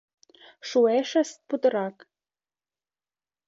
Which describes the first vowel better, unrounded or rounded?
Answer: rounded